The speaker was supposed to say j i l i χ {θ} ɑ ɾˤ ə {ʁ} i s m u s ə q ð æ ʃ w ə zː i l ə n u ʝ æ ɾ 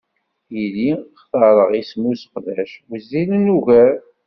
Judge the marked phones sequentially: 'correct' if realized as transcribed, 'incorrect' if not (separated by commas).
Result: correct, correct